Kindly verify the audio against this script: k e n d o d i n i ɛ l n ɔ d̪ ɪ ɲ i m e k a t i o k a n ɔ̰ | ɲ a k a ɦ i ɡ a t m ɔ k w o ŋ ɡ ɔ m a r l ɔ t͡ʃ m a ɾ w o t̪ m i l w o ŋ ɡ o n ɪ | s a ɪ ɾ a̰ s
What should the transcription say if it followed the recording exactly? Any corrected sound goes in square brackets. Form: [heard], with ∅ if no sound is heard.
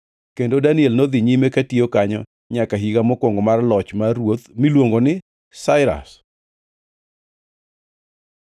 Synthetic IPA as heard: k e n d o d [a] n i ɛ l n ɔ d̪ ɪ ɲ i m e k a t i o k a [ɲ] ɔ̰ | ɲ a k a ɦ i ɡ a [∅] m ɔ k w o ŋ ɡ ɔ m a r l ɔ t͡ʃ m a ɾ w o t̪ m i l w o ŋ ɡ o n ɪ | s a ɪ ɾ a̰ s